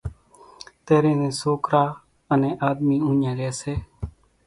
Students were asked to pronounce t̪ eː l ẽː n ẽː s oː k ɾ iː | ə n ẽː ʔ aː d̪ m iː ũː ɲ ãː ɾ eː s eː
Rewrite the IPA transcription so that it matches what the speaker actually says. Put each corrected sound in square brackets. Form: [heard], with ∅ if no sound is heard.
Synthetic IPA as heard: t̪ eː [ɾ] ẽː n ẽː s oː k ɾ [aː] | ə n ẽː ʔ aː d̪ m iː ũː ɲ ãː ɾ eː s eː